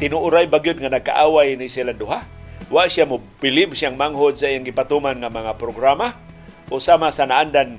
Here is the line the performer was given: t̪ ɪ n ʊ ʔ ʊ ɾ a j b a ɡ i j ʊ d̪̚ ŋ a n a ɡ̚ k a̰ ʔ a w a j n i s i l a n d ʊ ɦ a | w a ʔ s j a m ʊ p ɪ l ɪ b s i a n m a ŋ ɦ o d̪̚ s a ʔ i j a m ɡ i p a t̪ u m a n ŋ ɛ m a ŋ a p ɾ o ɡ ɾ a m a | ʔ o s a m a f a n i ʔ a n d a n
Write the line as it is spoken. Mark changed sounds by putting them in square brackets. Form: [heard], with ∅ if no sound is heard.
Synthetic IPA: t̪ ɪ n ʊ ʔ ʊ ɾ a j b a ɡ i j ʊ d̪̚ ŋ a n a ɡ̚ k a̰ ʔ a w a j n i s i l a n d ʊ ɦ a | w a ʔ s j a m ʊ p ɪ l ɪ b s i a [ŋ] m a ŋ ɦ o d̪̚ s a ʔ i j a [ŋ] ɡ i p a t̪ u m a n ŋ [a] m a ŋ a p ɾ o ɡ ɾ a m a | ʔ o s a m a [s] a n [a] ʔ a n d a n